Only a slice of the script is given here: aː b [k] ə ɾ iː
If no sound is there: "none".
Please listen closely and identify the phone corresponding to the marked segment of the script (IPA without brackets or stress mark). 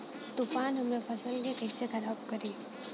k